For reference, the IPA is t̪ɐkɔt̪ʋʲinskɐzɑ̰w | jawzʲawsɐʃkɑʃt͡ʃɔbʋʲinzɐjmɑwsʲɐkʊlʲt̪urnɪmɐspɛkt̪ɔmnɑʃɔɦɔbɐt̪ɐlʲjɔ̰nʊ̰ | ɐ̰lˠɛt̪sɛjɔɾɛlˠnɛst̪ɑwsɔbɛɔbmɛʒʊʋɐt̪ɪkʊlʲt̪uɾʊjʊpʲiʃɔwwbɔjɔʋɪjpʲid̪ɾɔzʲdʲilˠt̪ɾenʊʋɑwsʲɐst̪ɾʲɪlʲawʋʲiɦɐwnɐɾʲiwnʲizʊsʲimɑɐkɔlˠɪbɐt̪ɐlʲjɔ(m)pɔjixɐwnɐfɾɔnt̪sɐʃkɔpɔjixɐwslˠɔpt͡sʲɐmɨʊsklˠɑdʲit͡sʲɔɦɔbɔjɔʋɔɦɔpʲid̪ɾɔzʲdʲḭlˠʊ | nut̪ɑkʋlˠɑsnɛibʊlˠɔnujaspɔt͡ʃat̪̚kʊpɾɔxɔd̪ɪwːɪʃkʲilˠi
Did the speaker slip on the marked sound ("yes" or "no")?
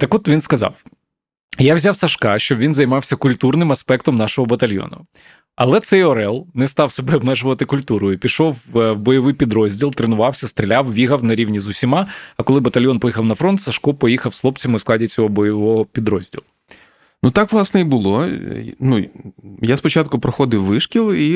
yes